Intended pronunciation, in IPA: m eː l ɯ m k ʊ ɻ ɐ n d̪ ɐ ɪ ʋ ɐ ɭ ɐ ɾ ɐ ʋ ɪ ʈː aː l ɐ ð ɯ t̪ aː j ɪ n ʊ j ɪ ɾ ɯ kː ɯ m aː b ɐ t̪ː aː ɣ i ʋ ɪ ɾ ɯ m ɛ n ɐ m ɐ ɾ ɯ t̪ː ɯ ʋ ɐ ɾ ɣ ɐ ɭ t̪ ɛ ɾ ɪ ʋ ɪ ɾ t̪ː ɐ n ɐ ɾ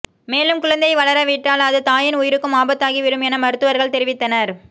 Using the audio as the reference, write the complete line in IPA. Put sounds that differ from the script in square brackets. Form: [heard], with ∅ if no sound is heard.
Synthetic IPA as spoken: m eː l ɯ m k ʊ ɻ ɐ n d̪ ɐ ɪ ʋ ɐ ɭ ɐ ɾ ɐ ʋ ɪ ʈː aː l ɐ ð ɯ t̪ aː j ɪ n ʊ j ɪ ɾ ɯ kː ɯ m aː b ɐ t̪ː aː ɣ i ʋ ɪ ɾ ɯ m ɛ n ɐ m ɐ ɾ ɯ t̪ː ɯ ʋ ɐ ɾ ɣ ɐ ɭ t̪ ɛ ɾ ɪ ʋ ɪ [∅] t̪ː ɐ n ɐ ɾ

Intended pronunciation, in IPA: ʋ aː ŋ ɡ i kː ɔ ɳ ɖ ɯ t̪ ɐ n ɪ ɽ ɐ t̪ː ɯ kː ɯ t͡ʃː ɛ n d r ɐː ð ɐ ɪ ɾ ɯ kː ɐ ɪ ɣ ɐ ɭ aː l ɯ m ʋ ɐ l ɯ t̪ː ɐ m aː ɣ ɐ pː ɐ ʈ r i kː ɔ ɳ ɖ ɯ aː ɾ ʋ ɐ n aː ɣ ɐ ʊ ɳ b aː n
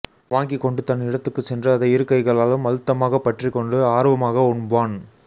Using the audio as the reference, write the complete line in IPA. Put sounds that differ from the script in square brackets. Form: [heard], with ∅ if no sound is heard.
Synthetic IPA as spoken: ʋ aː ŋ ɡ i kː ɔ ɳ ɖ ɯ t̪ ɐ n ɪ ɽ ɐ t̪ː ɯ kː ɯ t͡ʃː ɛ n d r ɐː ð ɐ ɪ ɾ ɯ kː ɐ ɪ ɣ ɐ ɭ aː l ɯ m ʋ ɐ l ɯ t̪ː ɐ m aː ɣ ɐ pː ɐ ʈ r i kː ɔ ɳ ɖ ɯ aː ɾ ʋ ɐ [m] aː ɣ ɐ ʊ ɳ b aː n

